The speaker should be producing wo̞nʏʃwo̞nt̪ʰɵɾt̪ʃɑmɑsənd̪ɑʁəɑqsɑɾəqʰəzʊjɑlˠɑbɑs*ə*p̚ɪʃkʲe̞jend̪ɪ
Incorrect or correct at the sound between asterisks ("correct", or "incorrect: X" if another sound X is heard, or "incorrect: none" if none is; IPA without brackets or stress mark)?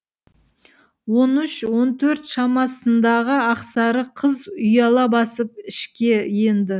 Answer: correct